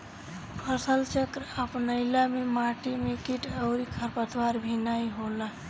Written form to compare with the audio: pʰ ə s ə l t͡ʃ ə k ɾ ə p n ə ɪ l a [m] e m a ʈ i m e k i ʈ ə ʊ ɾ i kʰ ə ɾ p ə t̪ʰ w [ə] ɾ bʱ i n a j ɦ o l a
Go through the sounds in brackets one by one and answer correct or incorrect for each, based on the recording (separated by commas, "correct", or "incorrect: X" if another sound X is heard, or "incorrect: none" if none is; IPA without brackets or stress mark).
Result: correct, incorrect: a